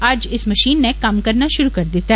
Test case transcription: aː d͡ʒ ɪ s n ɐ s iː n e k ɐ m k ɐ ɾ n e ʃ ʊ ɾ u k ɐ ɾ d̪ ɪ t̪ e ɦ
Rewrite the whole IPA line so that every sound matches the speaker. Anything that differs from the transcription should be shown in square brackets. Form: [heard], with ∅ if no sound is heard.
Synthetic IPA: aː d͡ʒ ɪ s [m] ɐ [ʃ] iː [nː] e k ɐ m k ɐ ɾ n [a] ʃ ʊ ɾ u k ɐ ɾ d̪ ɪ t̪ [a] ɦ

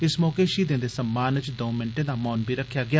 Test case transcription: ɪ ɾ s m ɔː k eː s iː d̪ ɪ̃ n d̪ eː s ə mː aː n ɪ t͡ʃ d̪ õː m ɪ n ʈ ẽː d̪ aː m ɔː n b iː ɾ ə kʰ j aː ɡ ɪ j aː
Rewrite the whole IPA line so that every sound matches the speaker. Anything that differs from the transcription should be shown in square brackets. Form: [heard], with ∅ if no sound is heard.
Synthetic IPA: ɪ [∅] s m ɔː k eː [ʃ] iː d̪ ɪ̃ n d̪ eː s ə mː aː n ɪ t͡ʃ d̪ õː m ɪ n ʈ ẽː d̪ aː m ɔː n b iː ɾ ə kʰ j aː ɡ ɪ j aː

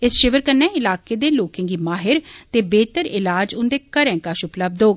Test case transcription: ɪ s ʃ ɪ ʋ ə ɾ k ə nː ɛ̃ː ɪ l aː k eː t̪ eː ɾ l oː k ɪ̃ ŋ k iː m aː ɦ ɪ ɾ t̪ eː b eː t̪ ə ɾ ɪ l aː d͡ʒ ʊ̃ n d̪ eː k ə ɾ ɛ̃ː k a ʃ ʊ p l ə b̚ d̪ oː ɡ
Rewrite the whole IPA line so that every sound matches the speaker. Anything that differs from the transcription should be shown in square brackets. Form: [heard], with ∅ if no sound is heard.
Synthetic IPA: ɪ s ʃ ɪ ʋ ə ɾ k ə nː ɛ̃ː ɪ l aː k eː [d̪] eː [∅] l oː k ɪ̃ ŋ [ɡ] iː m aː ɦ ɪ ɾ t̪ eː b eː t̪ ə ɾ ɪ l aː d͡ʒ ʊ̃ n d̪ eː k ə ɾ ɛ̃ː k a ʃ ʊ p l ə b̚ d̪ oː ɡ

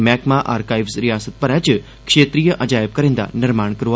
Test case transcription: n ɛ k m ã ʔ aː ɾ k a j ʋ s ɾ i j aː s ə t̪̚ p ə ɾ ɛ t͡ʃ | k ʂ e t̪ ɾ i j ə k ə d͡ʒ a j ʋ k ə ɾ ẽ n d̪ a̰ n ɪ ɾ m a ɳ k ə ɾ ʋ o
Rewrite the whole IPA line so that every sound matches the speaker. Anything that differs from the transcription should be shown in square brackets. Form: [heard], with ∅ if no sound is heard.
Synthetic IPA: [m] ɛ k m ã ʔ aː ɾ k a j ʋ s ɾ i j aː s ə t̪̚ p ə ɾ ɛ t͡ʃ | k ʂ e t̪ ɾ i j ə [ʔ] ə d͡ʒ a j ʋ k ə ɾ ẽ n d̪ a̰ n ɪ ɾ m a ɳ k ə ɾ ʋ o

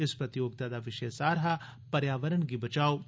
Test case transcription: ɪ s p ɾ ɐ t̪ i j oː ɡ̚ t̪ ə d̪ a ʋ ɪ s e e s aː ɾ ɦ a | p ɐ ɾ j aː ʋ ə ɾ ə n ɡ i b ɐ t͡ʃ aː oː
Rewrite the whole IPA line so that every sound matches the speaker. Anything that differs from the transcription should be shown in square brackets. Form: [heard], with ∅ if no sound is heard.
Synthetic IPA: ɪ s p ɾ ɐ t̪ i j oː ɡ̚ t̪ [a] d̪ a ʋ ɪ [ʃ] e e s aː ɾ ɦ a | p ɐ ɾ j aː ʋ ə ɾ ə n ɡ i b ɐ t͡ʃ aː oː

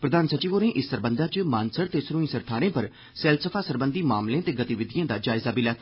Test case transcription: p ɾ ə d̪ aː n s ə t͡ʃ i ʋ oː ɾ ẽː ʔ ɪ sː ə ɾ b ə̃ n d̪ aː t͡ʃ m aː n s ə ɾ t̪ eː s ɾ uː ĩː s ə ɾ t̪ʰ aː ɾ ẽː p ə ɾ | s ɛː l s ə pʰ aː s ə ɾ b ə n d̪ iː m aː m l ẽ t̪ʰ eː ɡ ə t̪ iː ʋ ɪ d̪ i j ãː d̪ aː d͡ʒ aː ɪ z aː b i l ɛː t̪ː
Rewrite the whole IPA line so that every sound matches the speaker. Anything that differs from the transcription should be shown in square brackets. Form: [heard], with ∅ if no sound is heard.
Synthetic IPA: p ɾ ə d̪ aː n s ə t͡ʃ [iː] ʋ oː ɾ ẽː ʔ ɪ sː ə ɾ b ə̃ n d̪ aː t͡ʃ m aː n s ə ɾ t̪ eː s ɾ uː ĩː s ə ɾ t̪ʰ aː ɾ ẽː p ə ɾ | s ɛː l s ə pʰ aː s ə ɾ b ə n d̪ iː m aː m l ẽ [t̪] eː ɡ ə t̪ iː ʋ ɪ d̪ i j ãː d̪ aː d͡ʒ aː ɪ z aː b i l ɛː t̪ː

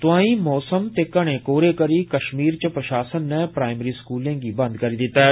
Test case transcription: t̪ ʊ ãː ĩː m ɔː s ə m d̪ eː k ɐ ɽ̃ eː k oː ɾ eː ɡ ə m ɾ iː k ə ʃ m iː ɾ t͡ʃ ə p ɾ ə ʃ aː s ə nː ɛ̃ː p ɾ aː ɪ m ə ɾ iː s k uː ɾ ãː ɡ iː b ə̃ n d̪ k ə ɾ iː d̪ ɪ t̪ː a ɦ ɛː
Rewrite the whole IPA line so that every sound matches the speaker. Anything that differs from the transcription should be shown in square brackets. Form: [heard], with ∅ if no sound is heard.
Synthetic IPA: t̪ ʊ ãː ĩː m ɔː s ə m [t̪] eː k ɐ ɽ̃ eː k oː ɾ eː [k] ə [∅] ɾ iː k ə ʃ m iː ɾ t͡ʃ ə p ɾ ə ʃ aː s ə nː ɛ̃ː p ɾ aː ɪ m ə ɾ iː s k uː [l] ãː ɡ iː b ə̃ n d̪ k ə ɾ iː d̪ ɪ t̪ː a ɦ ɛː

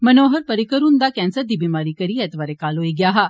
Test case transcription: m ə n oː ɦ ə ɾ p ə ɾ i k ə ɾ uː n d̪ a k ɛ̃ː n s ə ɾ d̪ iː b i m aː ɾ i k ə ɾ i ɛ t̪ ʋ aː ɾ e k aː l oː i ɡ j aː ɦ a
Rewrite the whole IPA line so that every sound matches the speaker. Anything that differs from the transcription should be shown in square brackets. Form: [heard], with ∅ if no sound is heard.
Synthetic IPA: m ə n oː ɦ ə ɾ p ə ɾ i k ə ɾ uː n d̪ a k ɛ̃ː n s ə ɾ d̪ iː b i m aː ɾ i k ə ɾ i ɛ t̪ ʋ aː ɾ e k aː l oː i ɡ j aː ɦ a

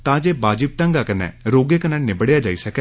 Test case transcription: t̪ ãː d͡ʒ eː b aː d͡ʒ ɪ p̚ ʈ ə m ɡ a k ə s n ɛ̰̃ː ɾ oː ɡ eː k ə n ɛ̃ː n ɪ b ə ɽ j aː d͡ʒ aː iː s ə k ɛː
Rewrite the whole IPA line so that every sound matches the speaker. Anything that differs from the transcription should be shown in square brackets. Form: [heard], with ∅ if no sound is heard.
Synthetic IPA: t̪ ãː d͡ʒ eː b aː d͡ʒ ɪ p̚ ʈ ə [ŋ] ɡ a k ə [∅] n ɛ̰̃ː ɾ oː ɡ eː k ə n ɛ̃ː n ɪ b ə ɽ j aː d͡ʒ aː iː s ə k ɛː

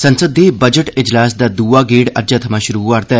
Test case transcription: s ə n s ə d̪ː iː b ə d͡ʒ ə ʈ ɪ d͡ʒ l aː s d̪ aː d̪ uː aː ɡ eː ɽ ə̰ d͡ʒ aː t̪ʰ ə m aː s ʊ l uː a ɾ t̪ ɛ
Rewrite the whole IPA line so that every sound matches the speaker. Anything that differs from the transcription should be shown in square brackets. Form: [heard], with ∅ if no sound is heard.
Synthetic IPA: s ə n s ə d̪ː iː b ə d͡ʒ ə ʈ ɪ d͡ʒ l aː s d̪ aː d̪ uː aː ɡ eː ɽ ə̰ d͡ʒ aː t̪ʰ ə m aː [ʃ] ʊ [ɾ] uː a ɾ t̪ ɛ

